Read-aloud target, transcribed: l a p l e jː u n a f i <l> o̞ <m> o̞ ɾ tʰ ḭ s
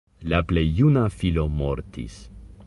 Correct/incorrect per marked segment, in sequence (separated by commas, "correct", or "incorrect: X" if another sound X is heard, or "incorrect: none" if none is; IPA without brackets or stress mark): correct, correct